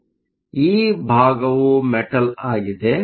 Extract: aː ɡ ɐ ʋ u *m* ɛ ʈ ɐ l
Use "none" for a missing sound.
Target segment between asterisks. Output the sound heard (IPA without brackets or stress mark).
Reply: m